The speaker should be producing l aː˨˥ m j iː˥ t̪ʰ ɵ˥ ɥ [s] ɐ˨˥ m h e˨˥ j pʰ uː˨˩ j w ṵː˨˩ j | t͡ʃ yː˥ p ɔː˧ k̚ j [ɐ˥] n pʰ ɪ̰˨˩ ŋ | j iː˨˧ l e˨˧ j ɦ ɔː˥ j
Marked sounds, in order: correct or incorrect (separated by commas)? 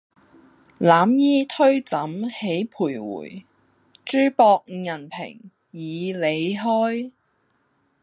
incorrect, incorrect